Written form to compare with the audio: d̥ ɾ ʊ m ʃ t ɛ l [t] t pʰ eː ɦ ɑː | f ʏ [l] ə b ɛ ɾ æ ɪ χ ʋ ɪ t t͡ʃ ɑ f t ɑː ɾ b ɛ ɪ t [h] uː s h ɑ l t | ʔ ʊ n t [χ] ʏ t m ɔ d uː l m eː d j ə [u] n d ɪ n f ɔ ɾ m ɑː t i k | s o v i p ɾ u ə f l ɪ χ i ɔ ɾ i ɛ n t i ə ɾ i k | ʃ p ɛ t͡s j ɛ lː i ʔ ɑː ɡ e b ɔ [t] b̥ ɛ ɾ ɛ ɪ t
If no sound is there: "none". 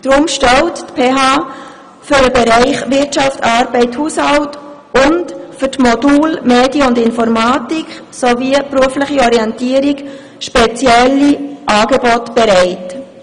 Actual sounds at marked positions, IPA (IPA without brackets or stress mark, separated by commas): t, ɾ, h, f, ʊ, t